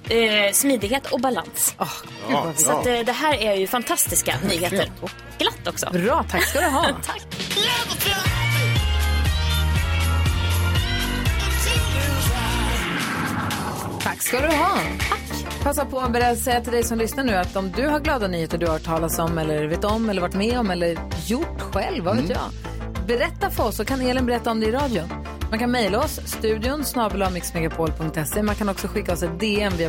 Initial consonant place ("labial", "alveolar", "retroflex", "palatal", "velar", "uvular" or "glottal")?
alveolar